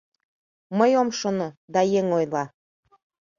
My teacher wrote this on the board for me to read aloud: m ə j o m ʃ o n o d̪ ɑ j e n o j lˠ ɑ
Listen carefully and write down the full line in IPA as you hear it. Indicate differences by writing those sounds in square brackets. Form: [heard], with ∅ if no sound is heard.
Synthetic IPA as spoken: m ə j o m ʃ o n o d̪ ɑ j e [ŋ] o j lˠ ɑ